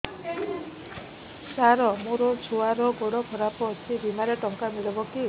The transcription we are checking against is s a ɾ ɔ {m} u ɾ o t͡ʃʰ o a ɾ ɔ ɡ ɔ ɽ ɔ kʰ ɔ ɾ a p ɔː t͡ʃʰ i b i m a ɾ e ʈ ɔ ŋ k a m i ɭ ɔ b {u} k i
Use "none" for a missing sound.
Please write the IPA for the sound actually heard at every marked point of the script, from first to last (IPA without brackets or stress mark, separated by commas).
m, ɔ